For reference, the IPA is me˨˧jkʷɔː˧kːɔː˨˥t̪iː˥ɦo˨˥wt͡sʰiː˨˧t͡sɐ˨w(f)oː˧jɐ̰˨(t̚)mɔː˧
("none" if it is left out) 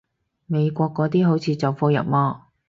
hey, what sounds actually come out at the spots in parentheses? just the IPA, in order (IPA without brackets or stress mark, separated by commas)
f, p̚